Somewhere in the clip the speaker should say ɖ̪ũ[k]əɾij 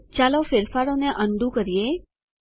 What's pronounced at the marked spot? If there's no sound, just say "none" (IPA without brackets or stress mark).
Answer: k